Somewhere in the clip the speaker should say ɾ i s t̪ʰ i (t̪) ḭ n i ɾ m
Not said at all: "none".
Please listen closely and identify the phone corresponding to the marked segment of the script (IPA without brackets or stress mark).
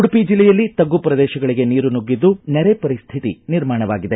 t̪